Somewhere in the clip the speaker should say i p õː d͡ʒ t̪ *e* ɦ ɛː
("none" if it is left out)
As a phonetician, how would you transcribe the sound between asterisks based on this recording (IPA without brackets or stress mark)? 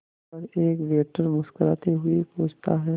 a